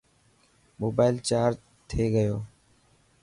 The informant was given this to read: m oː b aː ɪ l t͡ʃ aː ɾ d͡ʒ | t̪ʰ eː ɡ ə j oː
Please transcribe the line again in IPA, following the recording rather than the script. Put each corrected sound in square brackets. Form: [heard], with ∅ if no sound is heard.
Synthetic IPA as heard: m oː b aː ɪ l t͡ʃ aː ɾ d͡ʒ | t̪ʰ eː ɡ ə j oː